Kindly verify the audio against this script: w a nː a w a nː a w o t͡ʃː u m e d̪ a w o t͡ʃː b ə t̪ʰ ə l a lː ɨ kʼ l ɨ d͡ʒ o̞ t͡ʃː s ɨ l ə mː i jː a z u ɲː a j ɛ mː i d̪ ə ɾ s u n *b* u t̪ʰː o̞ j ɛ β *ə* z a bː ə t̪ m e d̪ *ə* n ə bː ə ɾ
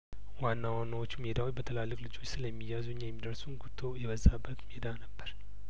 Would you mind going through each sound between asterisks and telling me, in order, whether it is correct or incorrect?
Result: incorrect: ɡ, correct, incorrect: a

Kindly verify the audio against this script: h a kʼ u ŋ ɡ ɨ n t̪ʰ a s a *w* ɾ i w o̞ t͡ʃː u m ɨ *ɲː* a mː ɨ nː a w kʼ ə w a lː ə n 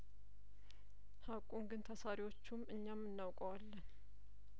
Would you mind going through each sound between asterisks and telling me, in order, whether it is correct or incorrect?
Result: incorrect: none, correct

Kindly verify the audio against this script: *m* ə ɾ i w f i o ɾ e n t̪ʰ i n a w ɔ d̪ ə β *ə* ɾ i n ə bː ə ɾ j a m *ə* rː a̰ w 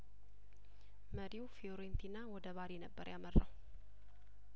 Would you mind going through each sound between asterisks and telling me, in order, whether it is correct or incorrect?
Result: correct, incorrect: a, correct

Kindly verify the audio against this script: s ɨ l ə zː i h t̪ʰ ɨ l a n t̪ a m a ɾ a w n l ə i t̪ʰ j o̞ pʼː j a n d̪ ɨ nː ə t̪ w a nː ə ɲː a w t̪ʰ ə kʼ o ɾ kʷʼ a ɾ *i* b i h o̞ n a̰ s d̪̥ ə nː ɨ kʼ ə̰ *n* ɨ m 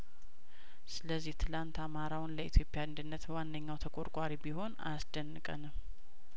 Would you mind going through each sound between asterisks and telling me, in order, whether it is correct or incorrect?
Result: correct, correct

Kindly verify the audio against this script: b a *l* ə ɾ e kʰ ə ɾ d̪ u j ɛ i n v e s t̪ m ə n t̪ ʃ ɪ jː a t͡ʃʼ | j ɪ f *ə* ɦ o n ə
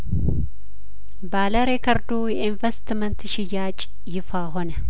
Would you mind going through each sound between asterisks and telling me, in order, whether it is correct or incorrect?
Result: correct, incorrect: a

